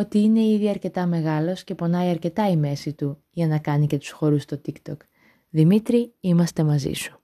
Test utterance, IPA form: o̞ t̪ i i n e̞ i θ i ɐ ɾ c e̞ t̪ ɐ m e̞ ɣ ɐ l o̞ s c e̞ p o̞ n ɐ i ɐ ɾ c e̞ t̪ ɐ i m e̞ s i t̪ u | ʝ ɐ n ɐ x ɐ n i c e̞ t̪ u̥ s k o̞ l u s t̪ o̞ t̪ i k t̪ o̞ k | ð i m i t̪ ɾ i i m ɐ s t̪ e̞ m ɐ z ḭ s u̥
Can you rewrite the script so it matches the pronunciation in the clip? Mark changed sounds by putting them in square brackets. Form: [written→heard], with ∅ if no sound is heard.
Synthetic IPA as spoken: o̞ t̪ i i n e̞ i [θ→ð] i ɐ ɾ c e̞ t̪ ɐ m e̞ ɣ ɐ l o̞ s c e̞ p o̞ n ɐ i ɐ ɾ c e̞ t̪ ɐ i m e̞ s i t̪ u | ʝ ɐ n ɐ [x→k] ɐ n i c e̞ t̪ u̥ s [k→x] o̞ [l→ɾ] u s t̪ o̞ t̪ i k t̪ o̞ k | ð i m i t̪ ɾ i i m ɐ s t̪ e̞ m ɐ z ḭ s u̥